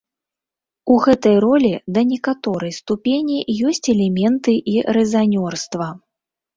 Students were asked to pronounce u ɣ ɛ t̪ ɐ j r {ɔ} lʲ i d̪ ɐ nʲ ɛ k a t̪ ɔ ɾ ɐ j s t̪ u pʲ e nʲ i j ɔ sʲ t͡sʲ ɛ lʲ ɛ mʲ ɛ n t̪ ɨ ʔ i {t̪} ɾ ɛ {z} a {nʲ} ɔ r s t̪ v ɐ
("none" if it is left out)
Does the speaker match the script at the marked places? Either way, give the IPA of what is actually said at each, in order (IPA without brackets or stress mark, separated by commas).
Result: ɔ, none, z, nʲ